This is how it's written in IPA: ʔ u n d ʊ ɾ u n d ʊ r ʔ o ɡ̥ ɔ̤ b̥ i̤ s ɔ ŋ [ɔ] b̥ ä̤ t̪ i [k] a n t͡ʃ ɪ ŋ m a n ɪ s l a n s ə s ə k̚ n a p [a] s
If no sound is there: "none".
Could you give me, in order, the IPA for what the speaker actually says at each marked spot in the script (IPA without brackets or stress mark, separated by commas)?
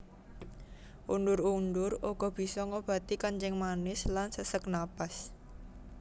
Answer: o, k, a